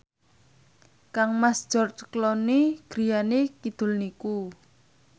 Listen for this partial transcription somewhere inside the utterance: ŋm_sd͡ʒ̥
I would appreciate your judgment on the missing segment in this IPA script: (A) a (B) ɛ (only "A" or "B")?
A